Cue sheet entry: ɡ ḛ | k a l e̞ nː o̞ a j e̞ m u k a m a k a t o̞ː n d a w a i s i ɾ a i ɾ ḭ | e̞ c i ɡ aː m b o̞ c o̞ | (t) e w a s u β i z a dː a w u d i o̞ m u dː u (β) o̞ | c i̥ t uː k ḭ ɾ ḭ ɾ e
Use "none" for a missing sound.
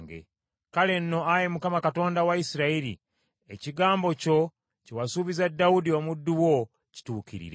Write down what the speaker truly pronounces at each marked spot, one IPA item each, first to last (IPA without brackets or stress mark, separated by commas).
c, w